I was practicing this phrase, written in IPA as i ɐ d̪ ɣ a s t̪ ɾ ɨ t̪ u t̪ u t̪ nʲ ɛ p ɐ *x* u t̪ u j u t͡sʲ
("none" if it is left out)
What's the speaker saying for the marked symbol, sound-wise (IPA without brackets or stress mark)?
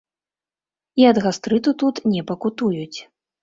k